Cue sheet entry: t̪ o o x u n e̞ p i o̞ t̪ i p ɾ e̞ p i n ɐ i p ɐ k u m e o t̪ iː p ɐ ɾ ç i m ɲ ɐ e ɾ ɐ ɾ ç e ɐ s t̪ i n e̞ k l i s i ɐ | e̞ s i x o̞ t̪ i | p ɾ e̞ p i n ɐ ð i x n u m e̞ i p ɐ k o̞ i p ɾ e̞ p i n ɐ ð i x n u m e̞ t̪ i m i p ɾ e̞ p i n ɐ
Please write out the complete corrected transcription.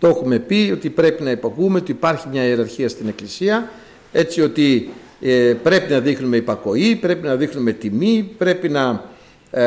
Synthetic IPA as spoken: t̪ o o x u m e̞ p i o̞ t̪ i p ɾ e̞ p i n ɐ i p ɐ k u m e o t̪ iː p ɐ ɾ ç i m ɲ ɐ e ɾ ɐ ɾ ç i ɐ s t̪ i n e̞ k l i s i ɐ | e̞ t͡s i o̞ t̪ i | p ɾ e̞ p i n ɐ ð i x n u m e̞ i p ɐ k o̞ i p ɾ e̞ p i n ɐ ð i x n u m e̞ t̪ i m i p ɾ e̞ p i n ɐ